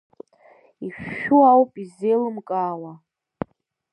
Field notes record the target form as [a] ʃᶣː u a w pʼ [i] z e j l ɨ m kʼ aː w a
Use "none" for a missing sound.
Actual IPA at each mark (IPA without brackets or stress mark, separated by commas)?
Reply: i, i